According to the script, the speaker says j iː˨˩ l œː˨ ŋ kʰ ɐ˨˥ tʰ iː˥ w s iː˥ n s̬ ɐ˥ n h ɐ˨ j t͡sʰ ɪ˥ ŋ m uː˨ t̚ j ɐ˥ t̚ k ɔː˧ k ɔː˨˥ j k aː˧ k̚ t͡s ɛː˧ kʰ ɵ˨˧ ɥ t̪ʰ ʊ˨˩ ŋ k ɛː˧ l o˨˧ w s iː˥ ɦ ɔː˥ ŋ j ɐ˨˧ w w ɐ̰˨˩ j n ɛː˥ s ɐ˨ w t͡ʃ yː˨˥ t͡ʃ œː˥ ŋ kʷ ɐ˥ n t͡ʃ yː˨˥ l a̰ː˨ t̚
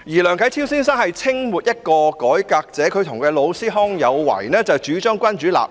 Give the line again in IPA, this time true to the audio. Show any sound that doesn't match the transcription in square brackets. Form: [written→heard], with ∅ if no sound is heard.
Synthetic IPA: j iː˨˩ l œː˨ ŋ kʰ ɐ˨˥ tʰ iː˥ w s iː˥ n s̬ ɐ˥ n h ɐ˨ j t͡sʰ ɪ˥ ŋ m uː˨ t̚ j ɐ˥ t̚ k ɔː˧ k ɔː˨˥ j k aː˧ k̚ t͡s [ɛː˧→ɛː˨˥] kʰ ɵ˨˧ ɥ t̪ʰ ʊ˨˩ ŋ k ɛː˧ l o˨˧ w s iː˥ ɦ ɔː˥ ŋ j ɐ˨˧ w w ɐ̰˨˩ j n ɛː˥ [s→t͡s] ɐ˨ w t͡ʃ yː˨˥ t͡ʃ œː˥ ŋ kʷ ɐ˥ n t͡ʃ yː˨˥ l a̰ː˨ [t̚→p̚]